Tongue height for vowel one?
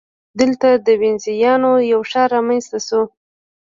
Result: mid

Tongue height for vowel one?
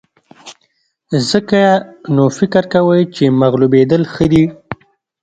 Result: mid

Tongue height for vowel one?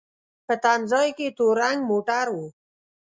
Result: mid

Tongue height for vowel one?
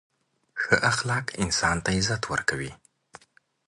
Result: mid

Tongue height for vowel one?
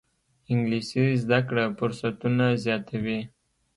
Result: high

